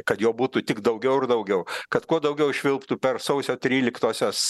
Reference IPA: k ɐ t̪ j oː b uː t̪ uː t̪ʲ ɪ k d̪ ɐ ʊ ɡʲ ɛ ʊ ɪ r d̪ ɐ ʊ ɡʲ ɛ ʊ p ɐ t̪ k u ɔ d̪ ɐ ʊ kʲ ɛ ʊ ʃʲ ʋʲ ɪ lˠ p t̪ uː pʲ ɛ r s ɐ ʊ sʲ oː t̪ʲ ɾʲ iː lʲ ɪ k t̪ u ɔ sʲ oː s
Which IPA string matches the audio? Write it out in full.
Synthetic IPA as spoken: k ɐ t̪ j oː b uː t̪ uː t̪ʲ ɪ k d̪ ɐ ʊ ɡʲ ɛ ʊ ɪ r d̪ ɐ ʊ ɡʲ ɛ ʊ k ɐ t̪ k u ɔ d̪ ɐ ʊ ɡʲ ɛ ʊ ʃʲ ʋʲ ɪ lˠ p t̪ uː pʲ ɛ r s ɐ ʊ sʲ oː t̪ʲ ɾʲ iː lʲ ɪ k t̪ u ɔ sʲ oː s